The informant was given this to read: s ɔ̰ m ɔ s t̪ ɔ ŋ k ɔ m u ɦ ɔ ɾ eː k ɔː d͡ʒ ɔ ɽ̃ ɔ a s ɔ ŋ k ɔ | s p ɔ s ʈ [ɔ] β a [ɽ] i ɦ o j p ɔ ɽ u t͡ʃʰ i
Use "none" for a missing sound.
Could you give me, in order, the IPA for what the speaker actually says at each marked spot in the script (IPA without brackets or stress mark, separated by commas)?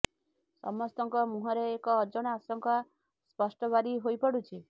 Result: ɔ, ɾ